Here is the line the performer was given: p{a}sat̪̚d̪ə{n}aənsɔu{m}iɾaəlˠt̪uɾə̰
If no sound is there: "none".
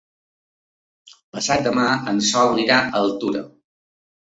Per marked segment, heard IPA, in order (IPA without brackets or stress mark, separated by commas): ə, m, n